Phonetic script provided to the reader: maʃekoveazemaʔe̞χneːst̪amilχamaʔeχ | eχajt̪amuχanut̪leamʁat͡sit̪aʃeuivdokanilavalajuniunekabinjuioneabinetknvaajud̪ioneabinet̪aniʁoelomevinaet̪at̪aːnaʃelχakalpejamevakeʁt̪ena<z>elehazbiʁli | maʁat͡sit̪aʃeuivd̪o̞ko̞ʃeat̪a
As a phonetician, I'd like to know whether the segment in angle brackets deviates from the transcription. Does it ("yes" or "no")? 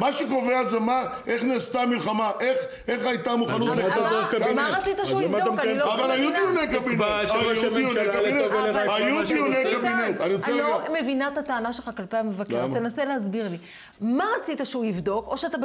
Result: yes